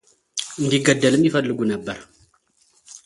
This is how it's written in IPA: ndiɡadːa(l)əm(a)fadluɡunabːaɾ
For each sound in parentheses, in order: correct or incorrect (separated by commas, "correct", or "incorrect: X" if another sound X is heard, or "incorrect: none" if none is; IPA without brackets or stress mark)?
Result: correct, incorrect: i